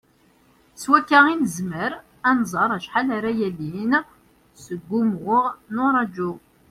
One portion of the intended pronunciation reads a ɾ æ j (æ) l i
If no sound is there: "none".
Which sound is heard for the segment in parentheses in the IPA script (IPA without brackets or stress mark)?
æ